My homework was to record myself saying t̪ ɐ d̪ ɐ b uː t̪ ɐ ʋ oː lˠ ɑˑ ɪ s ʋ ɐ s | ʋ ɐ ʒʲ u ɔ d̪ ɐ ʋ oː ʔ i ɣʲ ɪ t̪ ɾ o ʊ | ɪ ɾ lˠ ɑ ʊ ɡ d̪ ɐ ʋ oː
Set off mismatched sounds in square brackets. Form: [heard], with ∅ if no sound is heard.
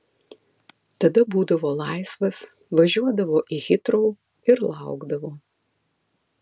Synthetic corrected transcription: t̪ ɐ d̪ ɐ b uː [d̪] ɐ ʋ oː lˠ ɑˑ ɪ s ʋ ɐ s | ʋ ɐ ʒʲ u ɔ d̪ ɐ ʋ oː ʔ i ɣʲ ɪ t̪ ɾ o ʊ | ɪ ɾ lˠ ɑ ʊ ɡ d̪ ɐ ʋ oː

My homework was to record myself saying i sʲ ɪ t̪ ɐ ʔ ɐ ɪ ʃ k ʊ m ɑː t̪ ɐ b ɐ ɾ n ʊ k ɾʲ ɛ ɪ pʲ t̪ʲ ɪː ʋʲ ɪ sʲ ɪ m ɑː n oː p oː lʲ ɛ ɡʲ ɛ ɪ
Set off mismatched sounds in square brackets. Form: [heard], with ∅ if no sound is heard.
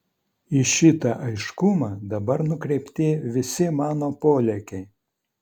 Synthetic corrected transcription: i [ʃʲ] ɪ t̪ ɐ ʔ ɐ ɪ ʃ k ʊ m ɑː [d̪] ɐ b ɐ ɾ n ʊ k ɾʲ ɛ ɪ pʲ t̪ʲ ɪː ʋʲ ɪ sʲ ɪ m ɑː n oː p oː lʲ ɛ [kʲ] ɛ ɪ

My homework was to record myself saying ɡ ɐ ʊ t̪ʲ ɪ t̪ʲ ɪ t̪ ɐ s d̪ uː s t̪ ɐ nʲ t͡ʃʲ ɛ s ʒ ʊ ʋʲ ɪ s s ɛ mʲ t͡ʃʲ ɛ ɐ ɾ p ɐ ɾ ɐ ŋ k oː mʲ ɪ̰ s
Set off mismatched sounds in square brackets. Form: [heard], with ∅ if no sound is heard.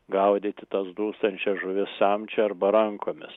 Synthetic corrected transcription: ɡ ɐ ʊ [d̪ʲ] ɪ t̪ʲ ɪ t̪ ɐ s d̪ uː s t̪ ɐ nʲ t͡ʃʲ ɛ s ʒ ʊ ʋʲ ɪ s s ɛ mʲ t͡ʃʲ ɛ ɐ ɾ [b] ɐ ɾ ɐ ŋ k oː mʲ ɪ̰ s

